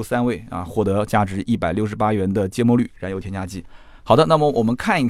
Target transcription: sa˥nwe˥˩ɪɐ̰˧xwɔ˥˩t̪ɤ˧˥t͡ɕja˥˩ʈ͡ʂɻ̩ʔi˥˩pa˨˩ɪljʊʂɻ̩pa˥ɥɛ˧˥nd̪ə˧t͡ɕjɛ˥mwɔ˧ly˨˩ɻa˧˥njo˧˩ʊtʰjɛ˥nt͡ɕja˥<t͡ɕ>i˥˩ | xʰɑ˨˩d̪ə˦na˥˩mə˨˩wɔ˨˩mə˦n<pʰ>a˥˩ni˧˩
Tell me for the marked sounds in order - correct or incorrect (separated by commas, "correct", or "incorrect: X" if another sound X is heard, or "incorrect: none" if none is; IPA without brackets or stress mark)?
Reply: correct, incorrect: kʰ